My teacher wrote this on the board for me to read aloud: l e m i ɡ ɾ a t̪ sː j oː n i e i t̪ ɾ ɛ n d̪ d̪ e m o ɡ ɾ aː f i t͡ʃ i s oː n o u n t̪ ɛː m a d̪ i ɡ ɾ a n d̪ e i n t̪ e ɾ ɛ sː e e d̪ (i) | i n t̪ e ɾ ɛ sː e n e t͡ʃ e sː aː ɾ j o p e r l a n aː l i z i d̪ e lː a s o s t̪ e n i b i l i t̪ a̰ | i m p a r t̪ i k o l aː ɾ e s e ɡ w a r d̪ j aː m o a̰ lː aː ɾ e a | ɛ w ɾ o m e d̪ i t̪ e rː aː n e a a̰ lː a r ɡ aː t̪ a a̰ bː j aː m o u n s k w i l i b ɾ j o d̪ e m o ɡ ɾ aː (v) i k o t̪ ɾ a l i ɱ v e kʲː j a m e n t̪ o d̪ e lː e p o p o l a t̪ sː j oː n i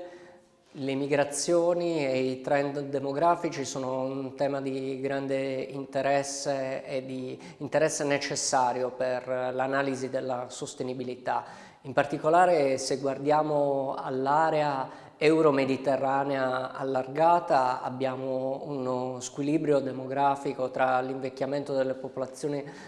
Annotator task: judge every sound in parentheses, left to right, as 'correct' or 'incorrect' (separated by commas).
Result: correct, incorrect